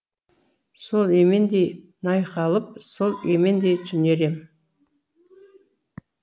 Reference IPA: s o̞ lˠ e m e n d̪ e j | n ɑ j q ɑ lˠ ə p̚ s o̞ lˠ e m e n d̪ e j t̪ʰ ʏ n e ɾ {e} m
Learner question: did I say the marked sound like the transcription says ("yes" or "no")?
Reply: yes